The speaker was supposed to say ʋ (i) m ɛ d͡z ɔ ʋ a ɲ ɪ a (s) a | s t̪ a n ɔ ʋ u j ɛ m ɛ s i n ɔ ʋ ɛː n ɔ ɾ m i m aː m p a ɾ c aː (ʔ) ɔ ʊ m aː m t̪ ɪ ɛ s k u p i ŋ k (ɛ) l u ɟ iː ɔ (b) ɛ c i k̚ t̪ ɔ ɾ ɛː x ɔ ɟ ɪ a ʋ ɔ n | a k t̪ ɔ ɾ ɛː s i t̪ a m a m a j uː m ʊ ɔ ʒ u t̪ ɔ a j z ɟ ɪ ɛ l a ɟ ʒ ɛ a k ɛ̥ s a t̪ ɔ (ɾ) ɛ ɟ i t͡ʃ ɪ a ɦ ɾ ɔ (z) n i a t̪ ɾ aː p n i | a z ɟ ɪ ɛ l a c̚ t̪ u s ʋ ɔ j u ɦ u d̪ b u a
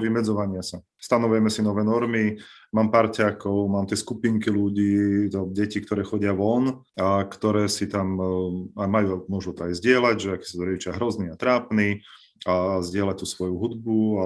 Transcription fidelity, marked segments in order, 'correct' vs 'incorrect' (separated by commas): correct, correct, incorrect, incorrect, incorrect, correct, correct